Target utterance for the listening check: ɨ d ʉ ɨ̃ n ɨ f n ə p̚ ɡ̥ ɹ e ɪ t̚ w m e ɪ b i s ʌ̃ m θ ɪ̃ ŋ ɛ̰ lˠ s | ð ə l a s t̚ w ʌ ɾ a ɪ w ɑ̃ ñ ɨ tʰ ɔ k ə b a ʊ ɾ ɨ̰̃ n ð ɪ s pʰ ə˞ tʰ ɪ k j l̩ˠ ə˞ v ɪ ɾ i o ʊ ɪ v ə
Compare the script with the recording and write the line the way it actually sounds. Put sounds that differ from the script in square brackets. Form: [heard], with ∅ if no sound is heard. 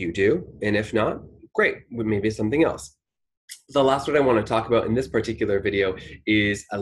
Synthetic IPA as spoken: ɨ d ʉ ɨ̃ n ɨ f n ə [t̚] ɡ̥ ɹ e ɪ t̚ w m e ɪ b i s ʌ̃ m θ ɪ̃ ŋ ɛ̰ lˠ s | ð ə l [æ] s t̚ w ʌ ɾ a ɪ w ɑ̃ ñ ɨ tʰ ɔ k ə b a ʊ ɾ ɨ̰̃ n ð ɪ s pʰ ə˞ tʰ ɪ k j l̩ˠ ə˞ v ɪ ɾ i o ʊ ɪ [z] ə

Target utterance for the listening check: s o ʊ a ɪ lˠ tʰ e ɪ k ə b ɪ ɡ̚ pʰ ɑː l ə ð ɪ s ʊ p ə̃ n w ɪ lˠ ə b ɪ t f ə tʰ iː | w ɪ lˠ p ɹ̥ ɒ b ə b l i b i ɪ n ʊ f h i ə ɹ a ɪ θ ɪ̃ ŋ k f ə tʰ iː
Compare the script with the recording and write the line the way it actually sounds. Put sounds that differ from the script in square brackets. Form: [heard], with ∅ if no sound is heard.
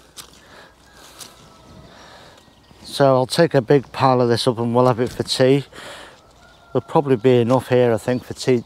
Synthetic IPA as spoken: s o ʊ a ɪ lˠ tʰ e ɪ k ə b ɪ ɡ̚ pʰ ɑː l ə ð ɪ s ʊ p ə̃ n w ɪ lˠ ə [v] ɪ t f ə tʰ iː | w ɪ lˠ [pʰ] ɹ̥ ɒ b ə b l i b i ɪ n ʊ f h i ə ɹ a ɪ θ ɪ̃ ŋ k f ə tʰ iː

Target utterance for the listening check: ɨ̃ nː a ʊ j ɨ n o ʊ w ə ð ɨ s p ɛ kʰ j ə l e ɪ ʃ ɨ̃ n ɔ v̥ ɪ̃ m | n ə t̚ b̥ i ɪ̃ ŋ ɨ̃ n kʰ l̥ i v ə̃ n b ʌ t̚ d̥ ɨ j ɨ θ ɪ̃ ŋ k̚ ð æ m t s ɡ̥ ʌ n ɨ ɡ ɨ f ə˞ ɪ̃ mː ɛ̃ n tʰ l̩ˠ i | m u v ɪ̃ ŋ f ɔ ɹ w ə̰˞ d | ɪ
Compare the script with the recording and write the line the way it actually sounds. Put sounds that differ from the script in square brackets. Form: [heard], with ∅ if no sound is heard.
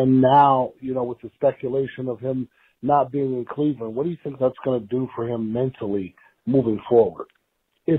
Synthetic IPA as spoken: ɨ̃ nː a ʊ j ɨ n o ʊ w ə ð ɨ s p ɛ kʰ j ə l e ɪ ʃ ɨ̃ n [ʌ] v̥ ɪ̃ m | n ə t̚ b̥ i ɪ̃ ŋ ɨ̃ n kʰ l̥ i v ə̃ n [w] ʌ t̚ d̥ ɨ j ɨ θ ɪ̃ ŋ k̚ ð æ [∅] t s ɡ̥ ʌ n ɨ [d] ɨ f ə˞ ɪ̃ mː ɛ̃ n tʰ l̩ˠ i | m u v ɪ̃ ŋ f ɔ ɹ w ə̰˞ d | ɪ

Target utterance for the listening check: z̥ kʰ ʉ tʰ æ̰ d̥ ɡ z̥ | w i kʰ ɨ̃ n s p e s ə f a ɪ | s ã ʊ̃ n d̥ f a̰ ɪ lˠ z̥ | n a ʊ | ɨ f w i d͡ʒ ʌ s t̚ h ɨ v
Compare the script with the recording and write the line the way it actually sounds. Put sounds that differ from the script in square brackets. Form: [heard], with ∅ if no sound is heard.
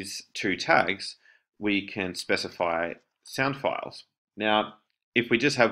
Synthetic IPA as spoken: z̥ [tʰ] ʉ tʰ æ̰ [∅] ɡ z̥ | w i kʰ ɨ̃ n s p [ɛ] s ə f a ɪ | s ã ʊ̃ n d̥ f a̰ ɪ lˠ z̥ | n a ʊ | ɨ f w i d͡ʒ ʌ s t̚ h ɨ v

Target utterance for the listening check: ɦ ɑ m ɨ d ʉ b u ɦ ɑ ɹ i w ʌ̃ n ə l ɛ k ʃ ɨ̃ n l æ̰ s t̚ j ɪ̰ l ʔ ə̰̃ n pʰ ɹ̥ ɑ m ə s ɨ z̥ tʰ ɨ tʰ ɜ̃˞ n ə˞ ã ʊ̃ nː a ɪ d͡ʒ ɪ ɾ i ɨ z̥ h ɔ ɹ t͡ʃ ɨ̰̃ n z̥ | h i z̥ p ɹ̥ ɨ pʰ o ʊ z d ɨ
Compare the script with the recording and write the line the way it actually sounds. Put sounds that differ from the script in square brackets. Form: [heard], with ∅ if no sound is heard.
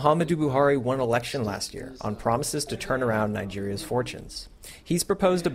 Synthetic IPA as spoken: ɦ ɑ m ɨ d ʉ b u ɦ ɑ ɹ i w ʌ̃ n ə l ɛ k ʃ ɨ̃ n l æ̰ s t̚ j ɪ̰ [ɹ] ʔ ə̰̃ n pʰ ɹ̥ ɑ m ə s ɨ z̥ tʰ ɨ tʰ ɜ̃˞ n ə˞ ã ʊ̃ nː a ɪ d͡ʒ ɪ [ɹ] i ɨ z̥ [f] ɔ ɹ t͡ʃ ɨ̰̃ n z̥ | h i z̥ p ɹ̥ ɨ pʰ o ʊ z d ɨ

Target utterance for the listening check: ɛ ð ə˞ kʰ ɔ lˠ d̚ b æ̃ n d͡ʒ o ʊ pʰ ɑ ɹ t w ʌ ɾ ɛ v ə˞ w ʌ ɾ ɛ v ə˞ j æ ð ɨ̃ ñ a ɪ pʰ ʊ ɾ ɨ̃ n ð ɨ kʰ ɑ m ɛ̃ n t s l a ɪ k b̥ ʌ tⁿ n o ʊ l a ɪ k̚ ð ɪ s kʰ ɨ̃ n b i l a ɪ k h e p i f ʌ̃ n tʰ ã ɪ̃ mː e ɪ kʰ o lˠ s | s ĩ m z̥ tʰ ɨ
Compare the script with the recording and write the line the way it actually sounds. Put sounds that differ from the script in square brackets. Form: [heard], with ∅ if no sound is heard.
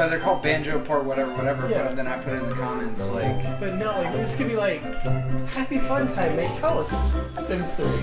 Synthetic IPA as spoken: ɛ ð ə˞ kʰ ɔ lˠ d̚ b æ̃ n d͡ʒ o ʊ pʰ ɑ ɹ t w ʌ ɾ ɛ v ə˞ w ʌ ɾ ɛ v ə˞ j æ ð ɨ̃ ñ a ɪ pʰ ʊ ɾ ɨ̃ n ð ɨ kʰ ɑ m ɛ̃ n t s l a ɪ k b̥ ʌ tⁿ n o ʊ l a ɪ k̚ ð ɪ s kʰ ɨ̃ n b i l a ɪ k h [æ] p i f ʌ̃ n tʰ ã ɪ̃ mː e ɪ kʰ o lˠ s | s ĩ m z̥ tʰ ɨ

